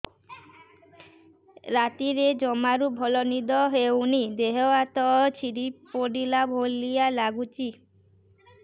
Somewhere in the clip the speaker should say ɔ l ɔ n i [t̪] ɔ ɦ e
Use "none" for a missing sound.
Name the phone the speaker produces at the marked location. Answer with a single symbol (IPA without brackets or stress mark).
d̪